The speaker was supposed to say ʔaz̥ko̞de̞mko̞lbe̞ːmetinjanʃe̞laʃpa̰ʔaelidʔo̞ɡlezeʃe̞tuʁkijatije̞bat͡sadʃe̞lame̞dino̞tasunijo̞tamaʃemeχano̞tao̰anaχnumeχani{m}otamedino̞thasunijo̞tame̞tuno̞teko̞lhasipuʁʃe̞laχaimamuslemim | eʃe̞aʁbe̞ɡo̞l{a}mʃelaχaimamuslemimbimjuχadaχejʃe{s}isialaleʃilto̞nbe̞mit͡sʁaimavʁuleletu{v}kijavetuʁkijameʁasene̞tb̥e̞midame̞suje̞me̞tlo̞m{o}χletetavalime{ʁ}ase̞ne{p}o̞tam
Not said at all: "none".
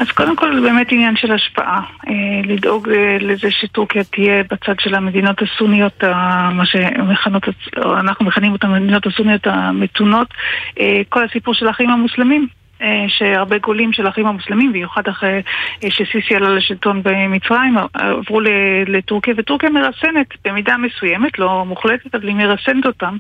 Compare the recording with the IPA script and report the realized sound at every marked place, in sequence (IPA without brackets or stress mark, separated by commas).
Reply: m, i, s, ʁ, u, ʁ, t